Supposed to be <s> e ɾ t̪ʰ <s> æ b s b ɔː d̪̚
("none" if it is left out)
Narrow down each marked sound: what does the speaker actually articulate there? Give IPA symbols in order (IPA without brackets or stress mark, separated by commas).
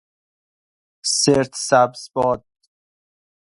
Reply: s, s